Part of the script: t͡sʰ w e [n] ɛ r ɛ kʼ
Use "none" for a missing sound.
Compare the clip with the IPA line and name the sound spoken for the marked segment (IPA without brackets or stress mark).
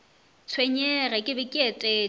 ɲ